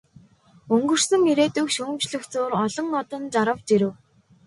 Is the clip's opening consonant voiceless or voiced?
voiced